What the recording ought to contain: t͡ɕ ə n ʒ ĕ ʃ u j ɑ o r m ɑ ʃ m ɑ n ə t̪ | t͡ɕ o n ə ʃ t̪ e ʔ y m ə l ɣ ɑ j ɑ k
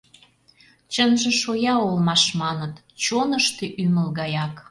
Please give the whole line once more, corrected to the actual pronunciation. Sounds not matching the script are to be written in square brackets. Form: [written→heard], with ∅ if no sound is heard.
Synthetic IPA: t͡ɕ ə n ʒ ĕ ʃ [u→o] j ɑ o [r→l] m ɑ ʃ m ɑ n ə t̪ | t͡ɕ o n ə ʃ t̪ e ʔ y m ə l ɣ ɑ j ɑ k